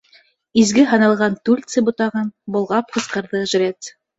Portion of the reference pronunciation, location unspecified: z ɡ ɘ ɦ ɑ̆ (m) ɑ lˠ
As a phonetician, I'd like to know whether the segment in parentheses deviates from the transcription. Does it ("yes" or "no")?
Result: yes